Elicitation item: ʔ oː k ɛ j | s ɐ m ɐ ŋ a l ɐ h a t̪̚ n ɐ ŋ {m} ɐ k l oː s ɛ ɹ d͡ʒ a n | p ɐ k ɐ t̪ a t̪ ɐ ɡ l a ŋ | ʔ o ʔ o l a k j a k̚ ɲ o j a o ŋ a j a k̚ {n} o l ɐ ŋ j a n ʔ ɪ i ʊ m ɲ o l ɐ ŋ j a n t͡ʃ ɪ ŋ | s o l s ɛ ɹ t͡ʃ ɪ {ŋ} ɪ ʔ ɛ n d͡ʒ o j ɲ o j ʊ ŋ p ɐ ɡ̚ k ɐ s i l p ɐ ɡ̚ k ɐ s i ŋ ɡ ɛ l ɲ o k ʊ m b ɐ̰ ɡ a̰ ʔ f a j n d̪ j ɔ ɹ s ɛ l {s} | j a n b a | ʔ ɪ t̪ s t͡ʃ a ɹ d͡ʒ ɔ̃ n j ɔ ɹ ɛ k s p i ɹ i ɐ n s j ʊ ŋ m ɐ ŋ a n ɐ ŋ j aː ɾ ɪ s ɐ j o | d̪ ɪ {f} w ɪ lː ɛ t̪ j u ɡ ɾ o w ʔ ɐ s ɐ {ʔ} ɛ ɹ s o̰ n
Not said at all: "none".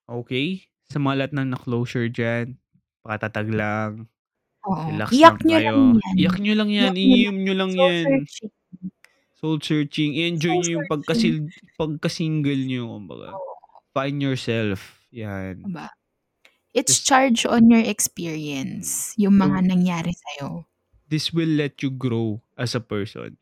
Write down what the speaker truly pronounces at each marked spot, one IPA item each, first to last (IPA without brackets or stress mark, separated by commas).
n, ɲ, ŋ, f, s, p